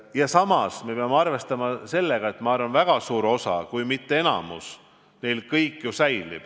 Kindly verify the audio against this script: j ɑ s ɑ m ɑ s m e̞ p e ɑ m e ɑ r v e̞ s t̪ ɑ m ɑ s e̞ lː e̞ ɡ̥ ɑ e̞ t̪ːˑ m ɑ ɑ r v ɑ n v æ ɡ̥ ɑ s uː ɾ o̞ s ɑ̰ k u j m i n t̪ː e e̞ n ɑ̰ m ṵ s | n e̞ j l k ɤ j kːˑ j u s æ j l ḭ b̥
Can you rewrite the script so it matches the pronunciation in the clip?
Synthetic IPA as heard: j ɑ s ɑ m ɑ s m e̞ p e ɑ m e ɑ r v e̞ s t̪ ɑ m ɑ s e̞ lː e̞ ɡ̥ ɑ e̞ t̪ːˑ m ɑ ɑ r v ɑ n v æ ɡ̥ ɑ s uː ɾ o̞ s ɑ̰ k u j m i t̪ː e e̞ n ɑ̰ m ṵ s | n e̞ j l k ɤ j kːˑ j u s æ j l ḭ b̥